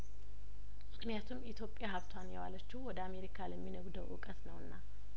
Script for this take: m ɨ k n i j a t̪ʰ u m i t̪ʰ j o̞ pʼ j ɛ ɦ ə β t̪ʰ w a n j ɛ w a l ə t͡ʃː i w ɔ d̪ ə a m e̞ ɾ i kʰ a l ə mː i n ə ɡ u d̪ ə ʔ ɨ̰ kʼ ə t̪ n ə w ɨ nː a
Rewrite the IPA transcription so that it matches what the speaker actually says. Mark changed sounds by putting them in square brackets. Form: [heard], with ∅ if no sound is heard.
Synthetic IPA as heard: m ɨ k n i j a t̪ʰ u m i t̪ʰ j o̞ pʼ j [a] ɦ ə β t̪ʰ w a n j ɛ w a l ə t͡ʃː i w ɔ d̪ ə a m e̞ ɾ i kʰ a l ə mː i n ə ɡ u d̪ ə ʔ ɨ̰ kʼ ə t̪ n ə w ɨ nː a